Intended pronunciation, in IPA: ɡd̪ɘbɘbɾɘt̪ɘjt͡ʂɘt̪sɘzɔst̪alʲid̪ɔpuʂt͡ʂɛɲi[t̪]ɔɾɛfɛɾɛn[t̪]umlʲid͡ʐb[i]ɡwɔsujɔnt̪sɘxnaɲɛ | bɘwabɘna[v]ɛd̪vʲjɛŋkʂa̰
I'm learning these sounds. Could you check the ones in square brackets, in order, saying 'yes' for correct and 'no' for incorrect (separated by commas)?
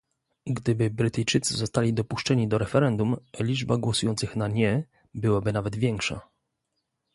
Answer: no, no, no, yes